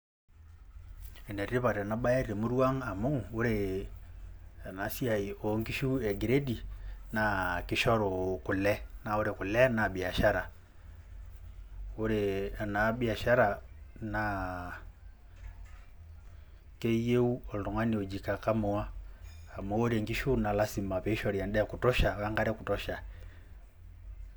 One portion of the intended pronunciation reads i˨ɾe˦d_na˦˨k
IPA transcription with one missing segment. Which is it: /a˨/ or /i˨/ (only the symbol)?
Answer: i˨